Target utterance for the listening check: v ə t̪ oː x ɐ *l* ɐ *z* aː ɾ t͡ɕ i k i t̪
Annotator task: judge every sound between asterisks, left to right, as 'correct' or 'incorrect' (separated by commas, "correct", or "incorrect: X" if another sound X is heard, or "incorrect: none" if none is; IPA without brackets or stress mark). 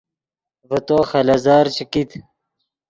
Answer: correct, correct